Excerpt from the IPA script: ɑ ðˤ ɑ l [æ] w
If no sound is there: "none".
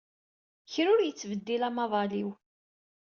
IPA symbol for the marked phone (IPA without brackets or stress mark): i